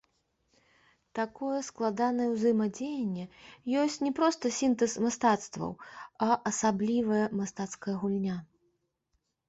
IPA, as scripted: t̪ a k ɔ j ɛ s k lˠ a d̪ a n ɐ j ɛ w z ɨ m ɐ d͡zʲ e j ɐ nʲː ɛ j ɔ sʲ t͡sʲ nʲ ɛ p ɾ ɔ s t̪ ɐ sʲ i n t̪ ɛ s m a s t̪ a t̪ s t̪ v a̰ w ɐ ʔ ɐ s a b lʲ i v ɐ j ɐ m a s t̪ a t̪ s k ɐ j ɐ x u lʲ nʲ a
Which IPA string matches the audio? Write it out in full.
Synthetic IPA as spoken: t̪ a k ɔ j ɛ s k lˠ a d̪ a n ɐ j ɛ w z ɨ m ɐ d͡zʲ e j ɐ nʲː ɛ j ɔ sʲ t͡sʲ nʲ ɛ p ɾ ɔ s t̪ ɐ sʲ i n t̪ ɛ s m a s t̪ a t̪ s t̪ v ɐ̰ w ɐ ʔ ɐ s a b lʲ i v ɐ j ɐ m a s t̪ a t̪ s k ɐ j ɐ ɣ u lʲ nʲ a